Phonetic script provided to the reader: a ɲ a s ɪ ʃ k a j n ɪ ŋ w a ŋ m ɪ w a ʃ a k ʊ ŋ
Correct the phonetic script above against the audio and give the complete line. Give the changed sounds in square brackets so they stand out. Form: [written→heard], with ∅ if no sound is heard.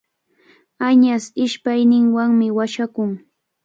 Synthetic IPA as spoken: a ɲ a s ɪ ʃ [k→p] a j n ɪ ŋ w a ŋ m ɪ w a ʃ a k ʊ ŋ